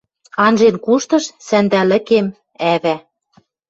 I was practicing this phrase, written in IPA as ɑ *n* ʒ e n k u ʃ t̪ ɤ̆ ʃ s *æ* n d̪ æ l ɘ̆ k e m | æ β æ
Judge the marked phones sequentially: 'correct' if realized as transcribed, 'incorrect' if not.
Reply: correct, correct

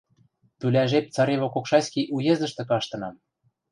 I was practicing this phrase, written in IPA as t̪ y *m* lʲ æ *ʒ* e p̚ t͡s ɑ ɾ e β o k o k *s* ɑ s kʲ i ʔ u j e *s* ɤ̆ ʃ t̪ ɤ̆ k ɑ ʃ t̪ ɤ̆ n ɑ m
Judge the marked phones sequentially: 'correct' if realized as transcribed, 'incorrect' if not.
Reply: incorrect: none, correct, incorrect: ʃ, incorrect: z

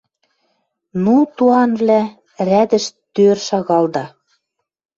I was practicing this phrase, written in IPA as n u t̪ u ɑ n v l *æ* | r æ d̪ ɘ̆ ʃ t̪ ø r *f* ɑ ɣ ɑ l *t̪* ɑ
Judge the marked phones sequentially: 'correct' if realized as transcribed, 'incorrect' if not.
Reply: correct, incorrect: ʃ, incorrect: d̪

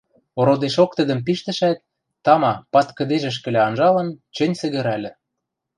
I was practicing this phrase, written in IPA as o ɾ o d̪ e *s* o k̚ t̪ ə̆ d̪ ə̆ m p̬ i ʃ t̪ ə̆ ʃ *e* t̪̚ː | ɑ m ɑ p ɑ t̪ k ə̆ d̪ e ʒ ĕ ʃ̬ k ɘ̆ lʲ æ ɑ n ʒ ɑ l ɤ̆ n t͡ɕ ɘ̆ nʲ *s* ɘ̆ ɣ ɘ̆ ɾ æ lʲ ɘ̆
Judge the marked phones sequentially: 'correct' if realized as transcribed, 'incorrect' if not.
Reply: incorrect: ʃ, incorrect: æ, correct

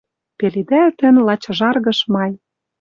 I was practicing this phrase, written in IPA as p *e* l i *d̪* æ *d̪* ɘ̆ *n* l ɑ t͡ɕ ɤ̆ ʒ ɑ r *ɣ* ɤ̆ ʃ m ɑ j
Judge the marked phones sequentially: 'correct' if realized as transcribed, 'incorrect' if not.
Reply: correct, correct, incorrect: t̪, correct, correct

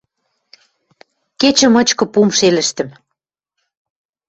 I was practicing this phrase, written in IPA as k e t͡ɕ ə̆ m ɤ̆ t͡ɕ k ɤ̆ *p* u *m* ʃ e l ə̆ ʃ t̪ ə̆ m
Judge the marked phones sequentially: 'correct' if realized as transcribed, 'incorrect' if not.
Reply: correct, correct

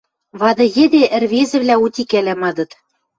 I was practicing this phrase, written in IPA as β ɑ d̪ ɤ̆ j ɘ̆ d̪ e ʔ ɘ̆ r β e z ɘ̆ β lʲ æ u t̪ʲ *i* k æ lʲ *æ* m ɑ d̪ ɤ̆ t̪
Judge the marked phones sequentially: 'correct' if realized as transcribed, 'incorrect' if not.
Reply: correct, correct

